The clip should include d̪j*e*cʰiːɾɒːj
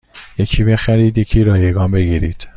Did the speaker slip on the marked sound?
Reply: no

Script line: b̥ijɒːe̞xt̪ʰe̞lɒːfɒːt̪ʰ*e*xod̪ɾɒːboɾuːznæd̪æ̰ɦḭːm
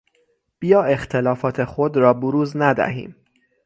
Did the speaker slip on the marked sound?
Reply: no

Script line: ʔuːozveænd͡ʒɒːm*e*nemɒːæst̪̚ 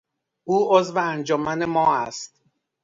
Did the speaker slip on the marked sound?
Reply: yes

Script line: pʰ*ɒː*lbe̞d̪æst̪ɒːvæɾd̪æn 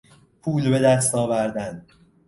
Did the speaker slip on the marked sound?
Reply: yes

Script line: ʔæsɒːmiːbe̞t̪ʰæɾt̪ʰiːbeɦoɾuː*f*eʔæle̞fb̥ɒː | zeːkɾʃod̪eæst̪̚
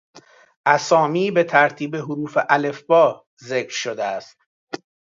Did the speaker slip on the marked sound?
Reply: no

